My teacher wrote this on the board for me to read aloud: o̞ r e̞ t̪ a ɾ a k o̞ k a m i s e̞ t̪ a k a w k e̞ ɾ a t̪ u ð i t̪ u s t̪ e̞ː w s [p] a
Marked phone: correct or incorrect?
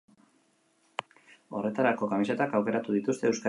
incorrect